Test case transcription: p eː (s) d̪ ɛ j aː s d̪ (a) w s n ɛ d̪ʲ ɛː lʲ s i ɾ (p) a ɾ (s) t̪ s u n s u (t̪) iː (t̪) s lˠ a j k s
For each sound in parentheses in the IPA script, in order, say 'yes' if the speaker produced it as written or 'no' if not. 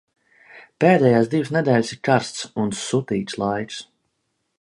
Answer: no, no, no, yes, yes, yes

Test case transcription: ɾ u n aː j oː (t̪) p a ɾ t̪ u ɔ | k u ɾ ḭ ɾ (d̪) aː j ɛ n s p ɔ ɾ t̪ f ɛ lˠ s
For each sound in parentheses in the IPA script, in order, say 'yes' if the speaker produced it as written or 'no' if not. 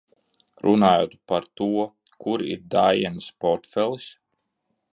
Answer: yes, yes

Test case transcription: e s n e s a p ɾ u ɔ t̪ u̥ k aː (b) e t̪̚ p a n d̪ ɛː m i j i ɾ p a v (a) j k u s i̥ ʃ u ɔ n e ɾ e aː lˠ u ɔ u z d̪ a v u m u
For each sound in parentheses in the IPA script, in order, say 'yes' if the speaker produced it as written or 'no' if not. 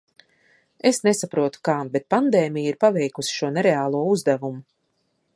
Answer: yes, no

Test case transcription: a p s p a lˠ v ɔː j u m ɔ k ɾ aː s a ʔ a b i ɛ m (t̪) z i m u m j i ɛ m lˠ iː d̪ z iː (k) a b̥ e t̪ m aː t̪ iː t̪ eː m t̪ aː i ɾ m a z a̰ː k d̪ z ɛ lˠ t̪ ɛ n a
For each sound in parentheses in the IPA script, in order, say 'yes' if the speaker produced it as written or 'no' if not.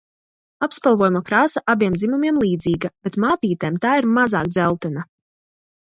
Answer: no, no

